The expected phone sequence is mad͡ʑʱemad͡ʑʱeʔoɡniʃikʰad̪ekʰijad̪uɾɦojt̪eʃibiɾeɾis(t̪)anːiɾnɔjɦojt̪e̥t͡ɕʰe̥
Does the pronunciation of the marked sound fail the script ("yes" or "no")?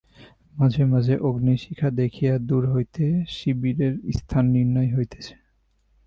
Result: yes